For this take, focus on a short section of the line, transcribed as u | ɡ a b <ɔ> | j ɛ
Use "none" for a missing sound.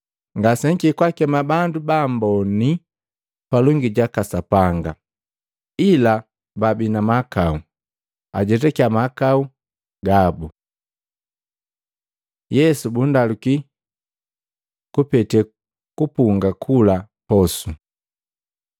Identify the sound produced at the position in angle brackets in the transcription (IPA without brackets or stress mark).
u